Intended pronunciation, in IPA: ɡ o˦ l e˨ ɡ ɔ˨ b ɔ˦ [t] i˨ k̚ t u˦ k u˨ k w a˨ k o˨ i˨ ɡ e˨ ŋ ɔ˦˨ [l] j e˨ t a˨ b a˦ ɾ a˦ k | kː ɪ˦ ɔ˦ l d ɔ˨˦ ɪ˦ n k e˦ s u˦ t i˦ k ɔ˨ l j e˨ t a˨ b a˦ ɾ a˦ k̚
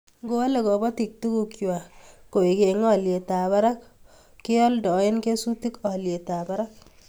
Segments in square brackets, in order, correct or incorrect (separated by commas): correct, correct